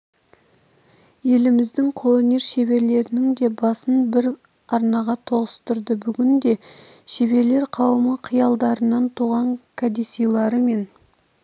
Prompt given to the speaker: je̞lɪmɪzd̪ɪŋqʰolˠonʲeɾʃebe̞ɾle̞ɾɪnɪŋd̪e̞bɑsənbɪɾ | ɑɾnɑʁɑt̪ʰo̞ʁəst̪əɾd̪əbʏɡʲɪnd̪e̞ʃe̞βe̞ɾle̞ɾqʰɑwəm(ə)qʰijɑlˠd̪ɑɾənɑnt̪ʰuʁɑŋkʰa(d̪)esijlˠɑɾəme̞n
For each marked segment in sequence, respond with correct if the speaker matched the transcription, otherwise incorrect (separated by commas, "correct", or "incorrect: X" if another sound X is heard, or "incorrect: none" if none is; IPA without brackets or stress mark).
correct, correct